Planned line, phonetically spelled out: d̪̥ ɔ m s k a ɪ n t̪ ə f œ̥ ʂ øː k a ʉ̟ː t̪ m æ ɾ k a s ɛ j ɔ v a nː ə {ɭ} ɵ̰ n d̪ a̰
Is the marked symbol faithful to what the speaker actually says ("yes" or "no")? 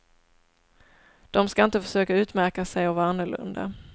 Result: yes